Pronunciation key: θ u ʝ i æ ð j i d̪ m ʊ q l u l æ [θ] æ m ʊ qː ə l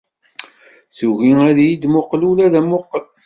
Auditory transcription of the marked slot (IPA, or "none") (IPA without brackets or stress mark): ð